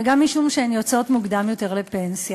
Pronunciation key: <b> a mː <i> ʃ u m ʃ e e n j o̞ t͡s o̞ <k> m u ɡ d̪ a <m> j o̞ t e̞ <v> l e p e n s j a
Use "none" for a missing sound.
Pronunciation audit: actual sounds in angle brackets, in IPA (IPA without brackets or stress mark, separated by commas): ɡ, i, t, m, ʁ